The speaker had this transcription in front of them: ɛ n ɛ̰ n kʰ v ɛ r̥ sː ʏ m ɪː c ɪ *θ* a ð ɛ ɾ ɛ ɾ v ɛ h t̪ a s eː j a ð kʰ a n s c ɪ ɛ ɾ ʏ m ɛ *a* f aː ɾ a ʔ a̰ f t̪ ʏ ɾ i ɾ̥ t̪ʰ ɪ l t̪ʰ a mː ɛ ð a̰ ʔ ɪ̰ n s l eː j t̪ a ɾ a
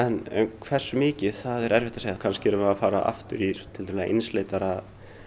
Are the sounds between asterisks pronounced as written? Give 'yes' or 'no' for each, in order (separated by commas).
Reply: yes, yes